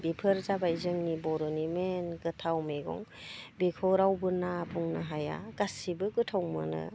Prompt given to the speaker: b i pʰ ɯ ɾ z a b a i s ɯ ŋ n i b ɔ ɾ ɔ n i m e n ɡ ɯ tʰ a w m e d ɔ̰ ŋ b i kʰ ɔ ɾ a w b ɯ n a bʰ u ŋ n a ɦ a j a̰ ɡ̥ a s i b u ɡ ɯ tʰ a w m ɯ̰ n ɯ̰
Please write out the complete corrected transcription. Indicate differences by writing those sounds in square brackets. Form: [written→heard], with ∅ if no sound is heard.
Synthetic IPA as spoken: b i pʰ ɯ ɾ z a b a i [s→z] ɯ ŋ n i b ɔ ɾ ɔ n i m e n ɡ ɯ tʰ a w m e [d→ɡ] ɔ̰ ŋ b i kʰ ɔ ɾ a w b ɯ n a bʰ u ŋ n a ɦ a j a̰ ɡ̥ a s i b [u→ɯ] ɡ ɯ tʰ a w m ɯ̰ n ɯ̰